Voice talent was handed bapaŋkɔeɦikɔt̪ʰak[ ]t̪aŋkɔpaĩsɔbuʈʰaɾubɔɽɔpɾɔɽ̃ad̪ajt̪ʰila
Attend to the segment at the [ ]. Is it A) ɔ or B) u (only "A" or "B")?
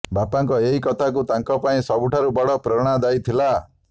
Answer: B